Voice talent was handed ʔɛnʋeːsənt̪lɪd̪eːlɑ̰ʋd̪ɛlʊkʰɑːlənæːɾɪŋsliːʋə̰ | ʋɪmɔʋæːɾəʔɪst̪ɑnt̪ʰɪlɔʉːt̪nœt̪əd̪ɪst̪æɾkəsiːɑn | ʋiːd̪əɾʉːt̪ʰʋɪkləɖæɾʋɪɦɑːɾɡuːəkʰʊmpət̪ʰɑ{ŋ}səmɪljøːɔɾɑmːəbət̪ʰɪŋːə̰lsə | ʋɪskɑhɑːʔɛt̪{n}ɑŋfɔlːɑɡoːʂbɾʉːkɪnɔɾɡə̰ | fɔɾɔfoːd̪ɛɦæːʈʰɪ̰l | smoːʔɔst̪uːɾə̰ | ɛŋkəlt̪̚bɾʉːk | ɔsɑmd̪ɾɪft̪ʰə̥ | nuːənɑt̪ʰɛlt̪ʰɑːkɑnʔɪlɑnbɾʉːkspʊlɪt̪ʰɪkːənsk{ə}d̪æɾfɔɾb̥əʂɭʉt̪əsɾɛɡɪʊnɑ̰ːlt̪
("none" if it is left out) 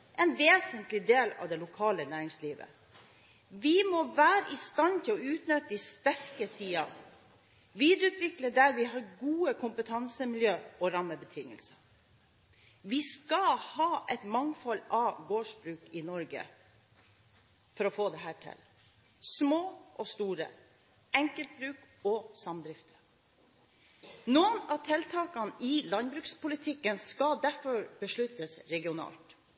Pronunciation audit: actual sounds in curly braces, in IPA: n, m, ɑ

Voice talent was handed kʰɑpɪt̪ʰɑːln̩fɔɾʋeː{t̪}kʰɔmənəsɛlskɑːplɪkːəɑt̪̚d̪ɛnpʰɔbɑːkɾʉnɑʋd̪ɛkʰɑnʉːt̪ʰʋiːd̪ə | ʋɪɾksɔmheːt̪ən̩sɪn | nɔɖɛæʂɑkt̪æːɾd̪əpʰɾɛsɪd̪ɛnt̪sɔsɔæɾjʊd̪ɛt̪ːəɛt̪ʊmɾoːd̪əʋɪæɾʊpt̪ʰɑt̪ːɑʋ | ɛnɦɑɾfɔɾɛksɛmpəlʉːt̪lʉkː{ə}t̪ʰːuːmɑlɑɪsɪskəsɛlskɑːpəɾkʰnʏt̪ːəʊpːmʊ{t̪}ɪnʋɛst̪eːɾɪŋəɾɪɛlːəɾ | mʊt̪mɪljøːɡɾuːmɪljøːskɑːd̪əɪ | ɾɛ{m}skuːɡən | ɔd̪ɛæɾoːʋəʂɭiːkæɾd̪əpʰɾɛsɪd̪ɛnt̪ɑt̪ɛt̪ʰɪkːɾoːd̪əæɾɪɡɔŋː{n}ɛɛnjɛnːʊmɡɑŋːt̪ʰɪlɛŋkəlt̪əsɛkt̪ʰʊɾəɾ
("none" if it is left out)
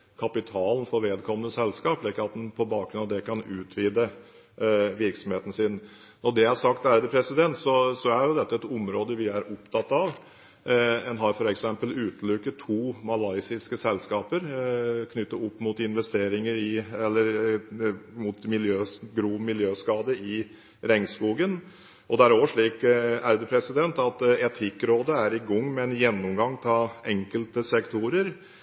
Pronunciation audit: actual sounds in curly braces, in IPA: d̪, ə, t̪, ŋ, m

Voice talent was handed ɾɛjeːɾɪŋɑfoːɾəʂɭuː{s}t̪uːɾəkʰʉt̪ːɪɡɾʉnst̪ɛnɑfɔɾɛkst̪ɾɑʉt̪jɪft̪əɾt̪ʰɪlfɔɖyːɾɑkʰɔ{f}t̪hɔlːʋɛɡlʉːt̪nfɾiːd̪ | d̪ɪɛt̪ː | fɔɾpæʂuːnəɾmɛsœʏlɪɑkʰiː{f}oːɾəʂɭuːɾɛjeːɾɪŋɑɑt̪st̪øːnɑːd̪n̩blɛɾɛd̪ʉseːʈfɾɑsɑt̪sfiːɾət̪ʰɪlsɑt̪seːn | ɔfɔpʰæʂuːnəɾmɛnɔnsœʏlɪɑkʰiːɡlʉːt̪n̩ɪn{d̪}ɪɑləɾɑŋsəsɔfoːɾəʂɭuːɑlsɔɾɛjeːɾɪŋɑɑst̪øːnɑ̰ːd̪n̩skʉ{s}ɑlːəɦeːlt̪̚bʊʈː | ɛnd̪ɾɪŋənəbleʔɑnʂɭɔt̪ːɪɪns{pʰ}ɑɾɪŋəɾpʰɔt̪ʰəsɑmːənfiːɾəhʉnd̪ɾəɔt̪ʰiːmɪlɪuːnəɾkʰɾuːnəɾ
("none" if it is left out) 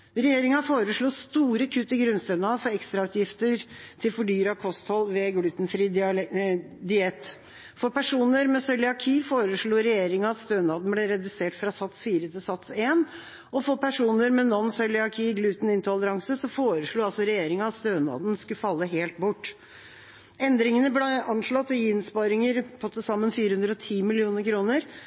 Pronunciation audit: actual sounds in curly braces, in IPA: s, s, f, t̪, f, p

